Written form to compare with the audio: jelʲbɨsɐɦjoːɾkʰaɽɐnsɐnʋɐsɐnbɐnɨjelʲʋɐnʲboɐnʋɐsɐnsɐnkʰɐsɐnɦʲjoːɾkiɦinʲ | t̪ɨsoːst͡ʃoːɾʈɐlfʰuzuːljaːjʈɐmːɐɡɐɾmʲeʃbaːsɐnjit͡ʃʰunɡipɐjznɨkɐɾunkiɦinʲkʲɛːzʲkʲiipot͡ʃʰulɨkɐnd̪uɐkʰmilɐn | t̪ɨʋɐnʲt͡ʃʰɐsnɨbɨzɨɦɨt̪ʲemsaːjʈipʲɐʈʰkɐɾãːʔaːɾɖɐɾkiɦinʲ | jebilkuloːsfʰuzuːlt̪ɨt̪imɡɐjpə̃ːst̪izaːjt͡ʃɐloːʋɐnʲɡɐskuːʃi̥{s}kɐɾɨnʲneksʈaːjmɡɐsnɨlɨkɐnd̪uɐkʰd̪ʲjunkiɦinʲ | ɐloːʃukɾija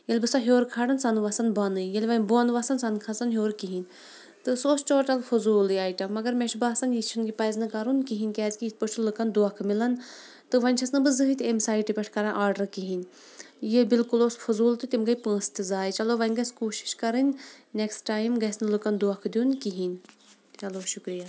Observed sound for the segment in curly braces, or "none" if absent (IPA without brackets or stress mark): ʃ